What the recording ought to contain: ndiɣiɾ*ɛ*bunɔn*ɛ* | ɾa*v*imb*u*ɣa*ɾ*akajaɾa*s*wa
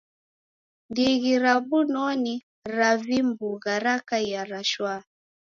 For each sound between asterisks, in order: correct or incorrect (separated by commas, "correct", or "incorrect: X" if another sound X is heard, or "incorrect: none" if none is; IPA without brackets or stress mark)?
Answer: incorrect: a, incorrect: i, correct, correct, correct, incorrect: ʃ